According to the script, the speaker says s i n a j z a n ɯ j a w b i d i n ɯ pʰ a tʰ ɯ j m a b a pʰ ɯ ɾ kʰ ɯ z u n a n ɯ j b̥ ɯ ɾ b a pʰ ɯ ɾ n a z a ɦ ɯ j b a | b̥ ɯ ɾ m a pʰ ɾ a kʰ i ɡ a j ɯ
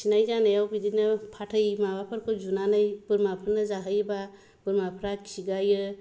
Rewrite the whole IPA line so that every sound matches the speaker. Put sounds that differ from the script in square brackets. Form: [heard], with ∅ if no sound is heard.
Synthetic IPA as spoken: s i n a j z a n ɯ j a w b i d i n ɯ pʰ a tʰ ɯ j m a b a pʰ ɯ ɾ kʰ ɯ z u n a n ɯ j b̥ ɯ ɾ [m] a pʰ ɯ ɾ n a z a ɦ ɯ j b a | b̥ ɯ ɾ m a pʰ ɾ a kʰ i ɡ a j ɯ

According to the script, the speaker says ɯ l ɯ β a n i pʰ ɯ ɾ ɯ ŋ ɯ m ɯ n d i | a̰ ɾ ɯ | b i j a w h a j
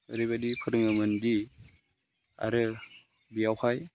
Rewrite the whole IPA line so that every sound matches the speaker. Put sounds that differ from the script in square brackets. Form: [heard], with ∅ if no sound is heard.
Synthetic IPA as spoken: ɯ [ɾ] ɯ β a [d] i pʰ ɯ ɾ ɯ ŋ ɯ m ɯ n d i | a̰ ɾ ɯ | b i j a w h a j

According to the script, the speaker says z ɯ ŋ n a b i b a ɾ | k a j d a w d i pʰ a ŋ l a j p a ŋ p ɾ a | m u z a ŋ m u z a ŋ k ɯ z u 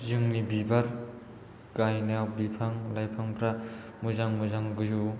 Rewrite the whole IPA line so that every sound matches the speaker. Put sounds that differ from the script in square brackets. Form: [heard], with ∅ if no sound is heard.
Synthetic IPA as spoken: z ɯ ŋ n [i] b i b a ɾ | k a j [n] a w [b] i pʰ a ŋ l a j [pʰ] a ŋ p ɾ a | m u z a ŋ m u z a ŋ [ɡ] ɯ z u

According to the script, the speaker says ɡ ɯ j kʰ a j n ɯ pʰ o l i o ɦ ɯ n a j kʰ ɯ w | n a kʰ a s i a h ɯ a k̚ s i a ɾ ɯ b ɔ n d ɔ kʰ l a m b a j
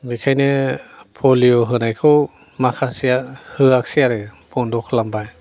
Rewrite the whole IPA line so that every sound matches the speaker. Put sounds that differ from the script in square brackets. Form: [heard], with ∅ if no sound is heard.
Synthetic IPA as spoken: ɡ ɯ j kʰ a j n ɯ pʰ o l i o ɦ ɯ n a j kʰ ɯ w | [m] a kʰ a s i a h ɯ a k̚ s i a ɾ ɯ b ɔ n d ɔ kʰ l a m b a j

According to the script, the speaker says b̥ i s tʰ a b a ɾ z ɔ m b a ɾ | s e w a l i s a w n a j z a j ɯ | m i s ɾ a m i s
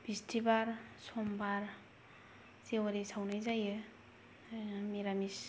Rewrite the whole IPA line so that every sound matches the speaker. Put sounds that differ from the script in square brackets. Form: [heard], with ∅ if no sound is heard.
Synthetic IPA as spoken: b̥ i s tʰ [i] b a ɾ [s] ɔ m b a ɾ | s e w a [ɾ] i s a w n a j z a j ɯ | m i [∅] ɾ a m i s

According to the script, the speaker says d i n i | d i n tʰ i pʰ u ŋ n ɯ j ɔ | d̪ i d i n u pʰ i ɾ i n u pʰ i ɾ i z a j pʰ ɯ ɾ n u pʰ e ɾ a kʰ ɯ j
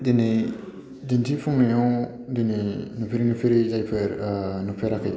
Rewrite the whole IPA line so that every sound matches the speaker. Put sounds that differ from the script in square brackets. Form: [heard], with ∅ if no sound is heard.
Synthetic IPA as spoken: d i n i | d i n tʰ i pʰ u ŋ n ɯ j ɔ | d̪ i [n] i n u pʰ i ɾ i n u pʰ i ɾ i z a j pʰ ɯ ɾ n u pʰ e ɾ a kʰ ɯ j

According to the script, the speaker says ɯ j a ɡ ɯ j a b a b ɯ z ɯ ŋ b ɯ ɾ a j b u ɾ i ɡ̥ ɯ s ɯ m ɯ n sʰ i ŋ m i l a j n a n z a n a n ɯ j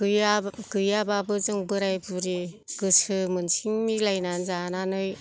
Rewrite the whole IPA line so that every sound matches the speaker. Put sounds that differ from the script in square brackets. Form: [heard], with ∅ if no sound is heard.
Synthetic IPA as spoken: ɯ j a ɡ ɯ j a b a b ɯ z ɯ ŋ b ɯ ɾ a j b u ɾ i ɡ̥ ɯ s ɯ m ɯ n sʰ i ŋ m i l a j n a n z a n a n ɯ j

